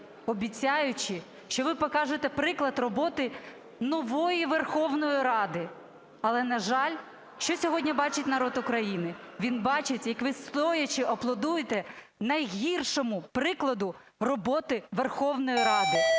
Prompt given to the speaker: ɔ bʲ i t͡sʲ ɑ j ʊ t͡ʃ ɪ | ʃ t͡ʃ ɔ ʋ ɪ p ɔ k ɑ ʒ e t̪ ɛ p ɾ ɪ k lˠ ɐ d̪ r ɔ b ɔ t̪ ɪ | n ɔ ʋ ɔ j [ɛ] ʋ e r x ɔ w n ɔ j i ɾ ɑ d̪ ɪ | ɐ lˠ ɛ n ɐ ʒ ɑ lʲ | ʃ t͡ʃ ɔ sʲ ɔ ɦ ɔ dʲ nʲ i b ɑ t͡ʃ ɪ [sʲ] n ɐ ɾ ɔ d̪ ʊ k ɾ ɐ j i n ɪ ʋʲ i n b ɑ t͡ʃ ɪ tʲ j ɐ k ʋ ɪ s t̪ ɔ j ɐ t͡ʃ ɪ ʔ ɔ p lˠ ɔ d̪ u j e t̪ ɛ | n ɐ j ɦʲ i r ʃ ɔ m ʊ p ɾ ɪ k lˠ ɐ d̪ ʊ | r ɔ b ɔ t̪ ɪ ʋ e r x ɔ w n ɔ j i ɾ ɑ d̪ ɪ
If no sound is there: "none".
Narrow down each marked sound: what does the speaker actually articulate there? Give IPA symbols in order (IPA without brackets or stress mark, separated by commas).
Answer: i, tʲ